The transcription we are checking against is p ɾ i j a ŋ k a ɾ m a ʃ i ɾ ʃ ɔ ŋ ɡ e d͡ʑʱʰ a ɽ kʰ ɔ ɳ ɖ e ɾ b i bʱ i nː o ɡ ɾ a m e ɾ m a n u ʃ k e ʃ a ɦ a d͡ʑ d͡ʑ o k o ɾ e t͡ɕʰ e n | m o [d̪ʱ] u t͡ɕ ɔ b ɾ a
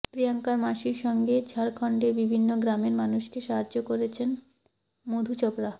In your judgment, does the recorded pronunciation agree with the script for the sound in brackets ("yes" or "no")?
yes